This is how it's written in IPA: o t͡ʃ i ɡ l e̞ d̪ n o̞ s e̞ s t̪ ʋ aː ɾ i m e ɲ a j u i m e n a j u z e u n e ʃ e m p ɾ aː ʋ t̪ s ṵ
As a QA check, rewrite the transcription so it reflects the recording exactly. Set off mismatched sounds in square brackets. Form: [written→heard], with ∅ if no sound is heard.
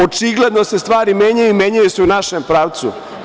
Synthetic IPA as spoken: o t͡ʃ i ɡ l e̞ d̪ n o̞ s e̞ s t̪ ʋ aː ɾ i m e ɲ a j u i m e [n→ɲ] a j u [z→s] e u n [e→a] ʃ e m p ɾ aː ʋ t̪ s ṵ